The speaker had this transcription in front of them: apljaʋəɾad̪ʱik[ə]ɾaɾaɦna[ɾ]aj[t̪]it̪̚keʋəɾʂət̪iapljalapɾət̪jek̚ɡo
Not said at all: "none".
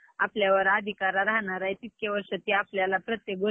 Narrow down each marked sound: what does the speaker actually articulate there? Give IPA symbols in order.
a, ɾ, t̪

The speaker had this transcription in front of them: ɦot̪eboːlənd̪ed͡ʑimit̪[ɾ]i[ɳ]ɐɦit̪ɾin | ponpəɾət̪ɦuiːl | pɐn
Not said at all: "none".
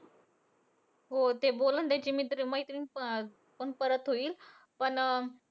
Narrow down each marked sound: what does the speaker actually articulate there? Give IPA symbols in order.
ɾ, m

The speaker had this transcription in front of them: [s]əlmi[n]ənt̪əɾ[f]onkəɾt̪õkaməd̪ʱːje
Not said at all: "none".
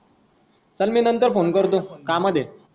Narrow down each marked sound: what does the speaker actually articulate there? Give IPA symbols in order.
t͡s, n, f

